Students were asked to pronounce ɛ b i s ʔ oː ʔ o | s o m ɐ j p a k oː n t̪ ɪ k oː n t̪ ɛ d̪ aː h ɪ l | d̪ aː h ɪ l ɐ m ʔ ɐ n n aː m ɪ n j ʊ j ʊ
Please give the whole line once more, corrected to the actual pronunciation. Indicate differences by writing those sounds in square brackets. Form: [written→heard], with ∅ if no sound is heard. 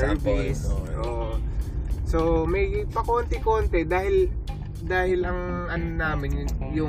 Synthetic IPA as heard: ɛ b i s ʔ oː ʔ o | s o m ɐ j p [a→ɐ] k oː n t̪ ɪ k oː n t̪ ɛ d̪ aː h ɪ l | d̪ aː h ɪ l ɐ [m→ŋ] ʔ ɐ n n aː m ɪ n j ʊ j ʊ